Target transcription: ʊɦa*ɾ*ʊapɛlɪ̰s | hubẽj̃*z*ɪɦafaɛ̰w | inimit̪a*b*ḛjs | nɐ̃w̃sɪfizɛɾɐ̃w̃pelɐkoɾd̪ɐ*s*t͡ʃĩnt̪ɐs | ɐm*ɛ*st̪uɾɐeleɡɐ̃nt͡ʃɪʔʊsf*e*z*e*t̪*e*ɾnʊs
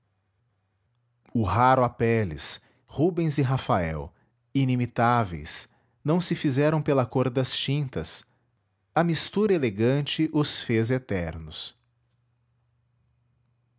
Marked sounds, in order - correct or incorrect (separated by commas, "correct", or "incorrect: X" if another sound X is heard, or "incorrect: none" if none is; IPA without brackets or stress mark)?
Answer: correct, correct, incorrect: v, correct, incorrect: i, correct, correct, incorrect: ɛ